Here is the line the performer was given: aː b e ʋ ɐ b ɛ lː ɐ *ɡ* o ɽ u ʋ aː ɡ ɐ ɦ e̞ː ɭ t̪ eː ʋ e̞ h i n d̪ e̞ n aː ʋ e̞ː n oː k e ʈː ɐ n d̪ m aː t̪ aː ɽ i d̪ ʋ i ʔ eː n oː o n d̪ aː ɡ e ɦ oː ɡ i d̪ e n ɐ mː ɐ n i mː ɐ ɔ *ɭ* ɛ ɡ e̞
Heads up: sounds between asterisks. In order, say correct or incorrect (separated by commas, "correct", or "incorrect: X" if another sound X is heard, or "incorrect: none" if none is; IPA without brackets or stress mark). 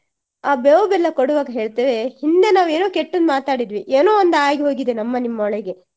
incorrect: k, correct